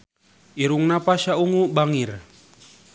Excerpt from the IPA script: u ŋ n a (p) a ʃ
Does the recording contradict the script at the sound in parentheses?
no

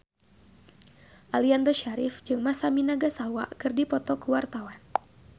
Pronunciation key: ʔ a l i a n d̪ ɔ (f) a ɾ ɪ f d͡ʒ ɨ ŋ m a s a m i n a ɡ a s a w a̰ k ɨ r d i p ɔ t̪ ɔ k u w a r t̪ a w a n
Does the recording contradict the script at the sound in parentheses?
yes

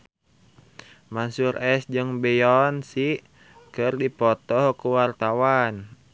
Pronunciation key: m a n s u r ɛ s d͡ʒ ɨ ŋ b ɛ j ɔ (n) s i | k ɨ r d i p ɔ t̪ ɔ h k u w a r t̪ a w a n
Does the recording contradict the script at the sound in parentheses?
no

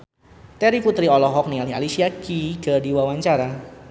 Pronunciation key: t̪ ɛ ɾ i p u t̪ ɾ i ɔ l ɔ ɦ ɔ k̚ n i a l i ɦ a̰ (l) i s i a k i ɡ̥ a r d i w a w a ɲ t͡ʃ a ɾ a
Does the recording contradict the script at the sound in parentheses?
no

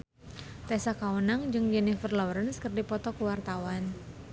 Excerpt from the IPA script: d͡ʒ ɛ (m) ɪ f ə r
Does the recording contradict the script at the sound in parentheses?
yes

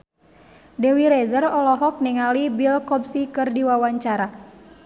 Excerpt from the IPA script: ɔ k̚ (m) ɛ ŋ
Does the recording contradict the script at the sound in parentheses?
yes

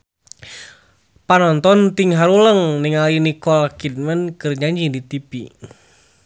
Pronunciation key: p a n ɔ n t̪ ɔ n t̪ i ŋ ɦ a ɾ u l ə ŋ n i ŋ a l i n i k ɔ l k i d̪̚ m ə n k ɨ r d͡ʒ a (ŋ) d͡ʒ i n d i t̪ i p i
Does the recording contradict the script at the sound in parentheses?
yes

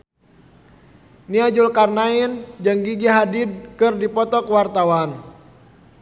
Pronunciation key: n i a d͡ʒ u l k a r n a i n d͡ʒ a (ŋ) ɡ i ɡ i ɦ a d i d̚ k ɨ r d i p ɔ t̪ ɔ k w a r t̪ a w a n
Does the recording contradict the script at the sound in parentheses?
no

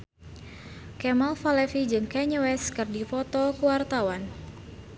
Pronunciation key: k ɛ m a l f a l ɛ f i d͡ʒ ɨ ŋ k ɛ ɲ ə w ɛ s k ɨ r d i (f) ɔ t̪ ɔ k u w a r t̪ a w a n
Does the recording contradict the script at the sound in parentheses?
no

